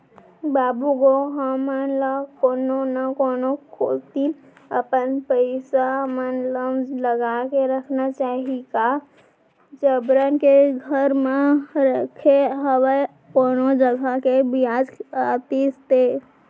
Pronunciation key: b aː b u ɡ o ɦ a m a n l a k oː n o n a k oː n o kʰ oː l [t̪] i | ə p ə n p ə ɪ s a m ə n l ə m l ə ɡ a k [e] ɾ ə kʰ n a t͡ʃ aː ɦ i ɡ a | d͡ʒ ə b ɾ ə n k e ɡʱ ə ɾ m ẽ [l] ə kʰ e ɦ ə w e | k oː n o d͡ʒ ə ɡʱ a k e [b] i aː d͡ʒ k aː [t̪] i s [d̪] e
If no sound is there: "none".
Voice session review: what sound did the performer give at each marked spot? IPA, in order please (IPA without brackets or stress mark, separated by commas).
t̪, e, ɾ, b, t̪, t̪